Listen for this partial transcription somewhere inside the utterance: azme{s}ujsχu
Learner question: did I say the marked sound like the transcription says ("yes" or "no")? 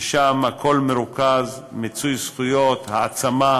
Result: no